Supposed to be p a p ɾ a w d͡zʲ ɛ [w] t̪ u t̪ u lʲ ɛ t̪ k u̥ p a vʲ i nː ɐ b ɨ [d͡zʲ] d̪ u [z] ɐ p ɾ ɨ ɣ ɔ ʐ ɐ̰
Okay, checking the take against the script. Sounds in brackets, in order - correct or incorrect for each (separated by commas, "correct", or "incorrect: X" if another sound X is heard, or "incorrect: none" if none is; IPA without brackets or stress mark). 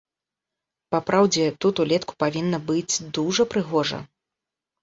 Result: incorrect: none, correct, incorrect: ʐ